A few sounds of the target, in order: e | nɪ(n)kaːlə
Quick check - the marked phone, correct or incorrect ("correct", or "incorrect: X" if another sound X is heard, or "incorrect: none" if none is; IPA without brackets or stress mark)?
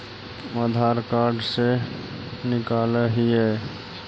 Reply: incorrect: none